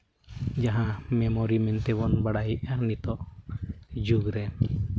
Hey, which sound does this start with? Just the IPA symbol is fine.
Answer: d͡ʒ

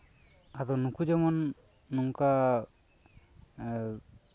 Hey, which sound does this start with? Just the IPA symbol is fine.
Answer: a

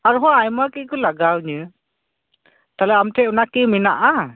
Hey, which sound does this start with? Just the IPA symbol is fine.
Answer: a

